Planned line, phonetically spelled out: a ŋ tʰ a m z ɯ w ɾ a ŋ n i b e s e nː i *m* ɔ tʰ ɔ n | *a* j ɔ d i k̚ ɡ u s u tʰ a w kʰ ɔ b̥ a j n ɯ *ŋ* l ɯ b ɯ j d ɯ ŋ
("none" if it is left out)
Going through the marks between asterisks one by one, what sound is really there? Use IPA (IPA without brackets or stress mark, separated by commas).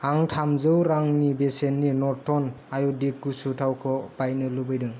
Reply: n, a, none